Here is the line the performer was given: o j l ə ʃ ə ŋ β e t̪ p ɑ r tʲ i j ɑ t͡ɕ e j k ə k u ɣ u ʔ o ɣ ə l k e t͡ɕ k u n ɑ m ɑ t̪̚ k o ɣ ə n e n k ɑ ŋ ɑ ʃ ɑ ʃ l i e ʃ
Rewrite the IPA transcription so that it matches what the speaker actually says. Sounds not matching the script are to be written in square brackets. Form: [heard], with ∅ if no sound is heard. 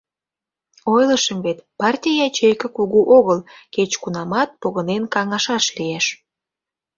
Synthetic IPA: o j l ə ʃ ə [m] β e t̪ p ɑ r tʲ i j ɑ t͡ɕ e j k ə k u ɣ u ʔ o ɣ ə l k e t͡ɕ k u n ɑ m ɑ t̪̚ [p] o ɣ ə n e n k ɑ ŋ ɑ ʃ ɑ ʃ l i e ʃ